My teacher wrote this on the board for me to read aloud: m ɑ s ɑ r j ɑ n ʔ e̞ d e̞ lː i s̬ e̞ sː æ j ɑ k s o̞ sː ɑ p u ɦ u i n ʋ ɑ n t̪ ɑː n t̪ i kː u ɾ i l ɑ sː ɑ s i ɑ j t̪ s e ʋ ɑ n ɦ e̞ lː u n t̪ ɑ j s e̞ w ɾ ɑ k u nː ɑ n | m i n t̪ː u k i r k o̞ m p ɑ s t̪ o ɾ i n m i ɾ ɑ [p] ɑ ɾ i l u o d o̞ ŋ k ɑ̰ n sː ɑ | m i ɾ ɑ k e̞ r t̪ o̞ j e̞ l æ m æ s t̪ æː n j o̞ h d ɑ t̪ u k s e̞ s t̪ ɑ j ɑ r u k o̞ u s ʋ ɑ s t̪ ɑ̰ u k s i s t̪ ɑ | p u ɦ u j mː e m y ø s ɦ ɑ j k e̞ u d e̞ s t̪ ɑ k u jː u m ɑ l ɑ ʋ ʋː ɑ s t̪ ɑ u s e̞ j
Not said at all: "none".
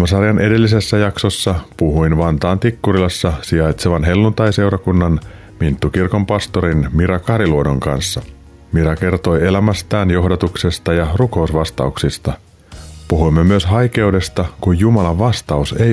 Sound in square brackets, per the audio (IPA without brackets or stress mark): k